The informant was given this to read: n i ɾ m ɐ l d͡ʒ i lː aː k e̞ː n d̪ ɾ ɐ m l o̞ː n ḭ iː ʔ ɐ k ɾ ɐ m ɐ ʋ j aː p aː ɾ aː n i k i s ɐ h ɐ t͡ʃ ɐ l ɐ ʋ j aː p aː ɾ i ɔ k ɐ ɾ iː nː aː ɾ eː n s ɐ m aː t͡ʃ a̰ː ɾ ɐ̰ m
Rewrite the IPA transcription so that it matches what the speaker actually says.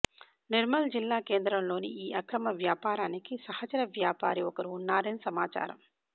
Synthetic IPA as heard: n i ɾ m ɐ l d͡ʒ i lː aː k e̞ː n d̪ ɾ ɐ m l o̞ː n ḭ iː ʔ ɐ k ɾ ɐ m ɐ ʋ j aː p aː ɾ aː n i k i s ɐ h ɐ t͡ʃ ɐ ɾ ɐ ʋ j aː p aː ɾ i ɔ k ɐ ɾ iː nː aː ɾ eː n s ɐ m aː t͡ʃ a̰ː ɾ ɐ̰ m